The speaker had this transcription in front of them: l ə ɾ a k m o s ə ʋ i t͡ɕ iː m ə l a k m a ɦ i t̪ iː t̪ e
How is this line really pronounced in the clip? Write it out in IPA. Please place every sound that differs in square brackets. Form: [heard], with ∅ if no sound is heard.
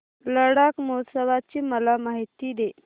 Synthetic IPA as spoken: l ə [ɽ] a k m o s ə ʋ [a] t͡ɕ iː m ə l a [∅] m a ɦ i t̪ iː [d̪] e